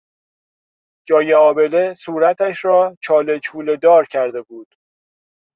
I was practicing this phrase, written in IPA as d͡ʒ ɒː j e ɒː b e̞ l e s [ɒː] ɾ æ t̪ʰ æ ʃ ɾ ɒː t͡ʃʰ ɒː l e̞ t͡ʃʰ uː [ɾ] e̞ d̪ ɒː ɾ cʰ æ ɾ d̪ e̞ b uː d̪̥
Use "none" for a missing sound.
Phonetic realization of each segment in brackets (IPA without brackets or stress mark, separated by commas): uː, l